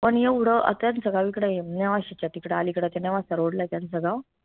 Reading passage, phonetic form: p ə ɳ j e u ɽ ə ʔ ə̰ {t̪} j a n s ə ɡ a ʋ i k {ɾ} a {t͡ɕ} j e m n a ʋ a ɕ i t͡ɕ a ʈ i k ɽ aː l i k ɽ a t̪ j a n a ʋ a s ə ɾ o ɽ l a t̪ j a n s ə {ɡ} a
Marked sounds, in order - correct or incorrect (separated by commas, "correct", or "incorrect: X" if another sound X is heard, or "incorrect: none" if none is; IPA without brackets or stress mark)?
correct, incorrect: ɽ, incorrect: none, correct